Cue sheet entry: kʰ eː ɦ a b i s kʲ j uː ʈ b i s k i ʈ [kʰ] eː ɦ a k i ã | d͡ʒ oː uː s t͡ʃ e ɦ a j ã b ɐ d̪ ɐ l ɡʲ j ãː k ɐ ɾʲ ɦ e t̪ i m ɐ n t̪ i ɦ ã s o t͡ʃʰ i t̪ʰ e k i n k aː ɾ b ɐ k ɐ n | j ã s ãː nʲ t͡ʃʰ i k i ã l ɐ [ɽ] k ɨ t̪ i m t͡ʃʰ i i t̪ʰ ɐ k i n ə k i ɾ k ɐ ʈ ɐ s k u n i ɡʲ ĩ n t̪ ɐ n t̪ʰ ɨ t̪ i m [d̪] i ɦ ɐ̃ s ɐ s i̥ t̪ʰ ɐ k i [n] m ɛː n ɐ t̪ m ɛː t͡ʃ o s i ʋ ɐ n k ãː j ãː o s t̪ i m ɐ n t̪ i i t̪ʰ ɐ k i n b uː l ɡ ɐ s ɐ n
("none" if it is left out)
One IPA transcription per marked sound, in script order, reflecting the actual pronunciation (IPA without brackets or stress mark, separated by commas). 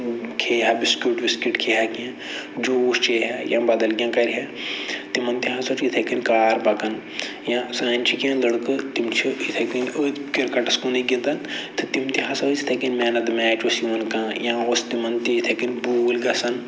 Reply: kʰ, ɽ, t̪, n